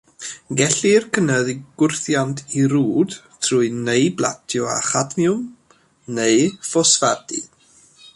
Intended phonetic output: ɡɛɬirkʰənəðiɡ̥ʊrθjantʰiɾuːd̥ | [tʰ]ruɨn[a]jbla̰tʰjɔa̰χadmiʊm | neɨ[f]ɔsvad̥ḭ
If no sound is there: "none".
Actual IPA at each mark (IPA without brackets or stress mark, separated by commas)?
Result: tʰ, e, f